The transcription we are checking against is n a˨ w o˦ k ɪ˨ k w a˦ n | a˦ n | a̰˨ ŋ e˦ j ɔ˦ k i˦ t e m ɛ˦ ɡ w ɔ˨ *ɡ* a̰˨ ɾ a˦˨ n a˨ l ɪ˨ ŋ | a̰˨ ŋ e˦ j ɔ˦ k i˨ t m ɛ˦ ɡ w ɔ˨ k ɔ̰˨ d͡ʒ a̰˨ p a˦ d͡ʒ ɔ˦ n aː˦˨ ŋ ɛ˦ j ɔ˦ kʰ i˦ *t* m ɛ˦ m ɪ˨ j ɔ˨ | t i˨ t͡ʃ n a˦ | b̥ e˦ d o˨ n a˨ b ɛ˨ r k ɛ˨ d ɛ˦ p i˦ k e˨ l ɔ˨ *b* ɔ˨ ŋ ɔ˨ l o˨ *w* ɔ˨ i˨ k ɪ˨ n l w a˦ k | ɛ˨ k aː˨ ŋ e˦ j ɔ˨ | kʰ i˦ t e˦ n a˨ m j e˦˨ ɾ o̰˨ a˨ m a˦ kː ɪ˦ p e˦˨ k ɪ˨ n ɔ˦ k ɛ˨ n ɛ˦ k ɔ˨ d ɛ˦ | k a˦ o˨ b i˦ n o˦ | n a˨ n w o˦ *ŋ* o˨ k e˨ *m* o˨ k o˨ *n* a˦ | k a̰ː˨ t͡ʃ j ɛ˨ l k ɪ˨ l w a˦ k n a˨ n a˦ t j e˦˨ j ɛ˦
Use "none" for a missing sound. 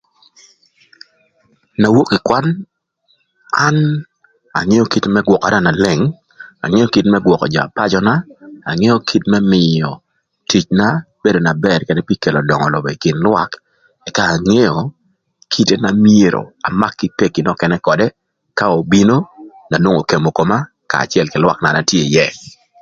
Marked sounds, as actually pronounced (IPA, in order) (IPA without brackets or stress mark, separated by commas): k, t, d, b, ŋ, m, m